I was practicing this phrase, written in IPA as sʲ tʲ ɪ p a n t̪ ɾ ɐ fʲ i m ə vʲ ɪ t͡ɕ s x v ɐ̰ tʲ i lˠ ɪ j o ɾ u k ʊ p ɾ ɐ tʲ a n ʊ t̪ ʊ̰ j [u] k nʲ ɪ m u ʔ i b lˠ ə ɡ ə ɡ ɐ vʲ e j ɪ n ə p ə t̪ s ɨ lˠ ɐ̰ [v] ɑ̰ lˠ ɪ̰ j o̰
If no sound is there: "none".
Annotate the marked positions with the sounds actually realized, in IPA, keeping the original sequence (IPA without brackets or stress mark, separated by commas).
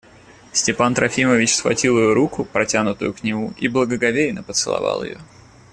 ʊ, v